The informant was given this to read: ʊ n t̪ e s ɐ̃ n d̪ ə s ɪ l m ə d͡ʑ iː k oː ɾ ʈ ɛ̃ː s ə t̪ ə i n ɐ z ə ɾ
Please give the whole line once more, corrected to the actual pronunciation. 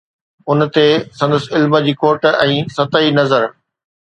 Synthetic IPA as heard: ʊ n t̪ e s ɐ̃ n d̪ ə s ɪ l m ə d͡ʑ iː k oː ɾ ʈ ɛ̃ː s ɐ t̪ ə i n ɐ z ə ɾ